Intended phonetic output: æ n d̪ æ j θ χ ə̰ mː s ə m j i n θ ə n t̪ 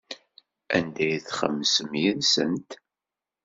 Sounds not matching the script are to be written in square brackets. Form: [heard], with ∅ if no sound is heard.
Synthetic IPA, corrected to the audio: æ n d̪ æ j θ χ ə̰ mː s ə m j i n [s] ə n t̪